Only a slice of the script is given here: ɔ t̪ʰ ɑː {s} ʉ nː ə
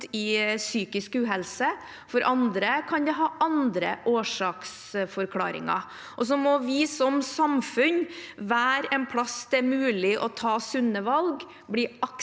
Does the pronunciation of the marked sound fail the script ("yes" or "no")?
no